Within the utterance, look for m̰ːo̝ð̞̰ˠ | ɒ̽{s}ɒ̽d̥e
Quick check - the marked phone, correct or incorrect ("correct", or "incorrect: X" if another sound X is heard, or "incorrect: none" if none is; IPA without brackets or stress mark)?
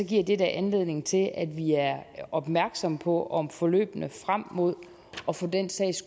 incorrect: f